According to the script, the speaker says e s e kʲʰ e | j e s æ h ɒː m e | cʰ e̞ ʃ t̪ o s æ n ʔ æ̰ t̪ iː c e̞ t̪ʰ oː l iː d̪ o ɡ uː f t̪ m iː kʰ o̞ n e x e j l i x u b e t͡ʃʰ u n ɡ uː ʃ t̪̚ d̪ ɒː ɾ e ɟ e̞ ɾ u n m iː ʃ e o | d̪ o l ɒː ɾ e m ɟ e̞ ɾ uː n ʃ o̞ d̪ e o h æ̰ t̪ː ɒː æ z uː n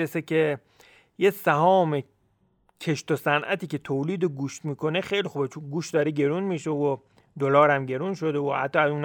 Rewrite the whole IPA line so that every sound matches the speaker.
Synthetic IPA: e s e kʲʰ e | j e s æ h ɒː m e | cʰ e̞ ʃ t̪ o s æ n ʔ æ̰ t̪ iː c e̞ t̪ʰ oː l iː d̪ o ɡ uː ʃ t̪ m iː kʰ o̞ n e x e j l i x u b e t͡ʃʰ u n ɡ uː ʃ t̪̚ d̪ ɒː ɾ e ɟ e̞ ɾ u n m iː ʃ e o | d̪ o l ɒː ɾ æ m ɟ e̞ ɾ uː n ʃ o̞ d̪ e o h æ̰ t̪ː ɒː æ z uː n